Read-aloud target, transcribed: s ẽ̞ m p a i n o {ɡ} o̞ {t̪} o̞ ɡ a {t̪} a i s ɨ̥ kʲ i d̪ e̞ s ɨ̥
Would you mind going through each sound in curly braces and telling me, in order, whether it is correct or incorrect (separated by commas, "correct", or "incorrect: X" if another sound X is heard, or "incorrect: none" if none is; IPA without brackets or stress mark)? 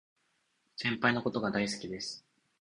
incorrect: k, correct, incorrect: d̪